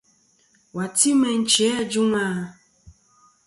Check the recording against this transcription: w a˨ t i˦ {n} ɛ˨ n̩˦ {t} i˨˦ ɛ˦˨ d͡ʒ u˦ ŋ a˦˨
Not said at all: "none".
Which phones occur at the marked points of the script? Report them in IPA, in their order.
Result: m, t͡ʃ

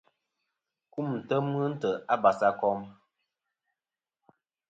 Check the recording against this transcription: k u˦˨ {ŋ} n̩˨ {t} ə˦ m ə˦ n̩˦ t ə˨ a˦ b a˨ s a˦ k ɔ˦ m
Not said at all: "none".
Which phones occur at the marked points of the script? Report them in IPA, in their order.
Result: m, t

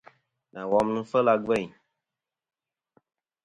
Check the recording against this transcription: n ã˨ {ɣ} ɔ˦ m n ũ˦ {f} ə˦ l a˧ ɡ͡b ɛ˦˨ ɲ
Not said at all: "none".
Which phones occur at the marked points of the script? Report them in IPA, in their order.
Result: w, f

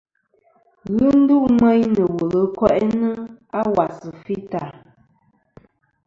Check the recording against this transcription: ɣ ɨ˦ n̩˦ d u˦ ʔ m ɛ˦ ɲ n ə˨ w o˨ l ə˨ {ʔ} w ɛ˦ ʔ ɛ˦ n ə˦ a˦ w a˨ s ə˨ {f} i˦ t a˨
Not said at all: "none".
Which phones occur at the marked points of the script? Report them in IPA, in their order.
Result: k, f

